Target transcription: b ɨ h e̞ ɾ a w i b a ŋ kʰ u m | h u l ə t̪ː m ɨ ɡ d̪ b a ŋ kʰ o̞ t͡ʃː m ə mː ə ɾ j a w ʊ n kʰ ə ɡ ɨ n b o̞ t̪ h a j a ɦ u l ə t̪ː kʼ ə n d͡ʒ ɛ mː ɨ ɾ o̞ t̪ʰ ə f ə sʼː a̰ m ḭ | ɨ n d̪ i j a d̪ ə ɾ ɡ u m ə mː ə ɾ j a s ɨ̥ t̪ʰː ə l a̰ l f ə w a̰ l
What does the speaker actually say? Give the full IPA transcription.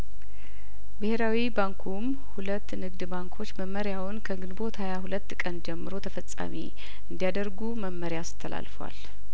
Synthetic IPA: b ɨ h e̞ ɾ a w i b a ŋ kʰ u m | h u l ə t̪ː n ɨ ɡ d̪ b a ŋ kʰ o̞ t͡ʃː m ə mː ə ɾ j a w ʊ n kʰ ə ɡ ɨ n b o̞ t̪ h a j a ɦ u l ə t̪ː kʼ ə n d͡ʒ ɛ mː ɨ ɾ o̞ t̪ʰ ə f ə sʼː a̰ m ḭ | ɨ n d̪ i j a d̪ ə ɾ ɡ u m ə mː ə ɾ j a s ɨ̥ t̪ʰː ə l a̰ l f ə w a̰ l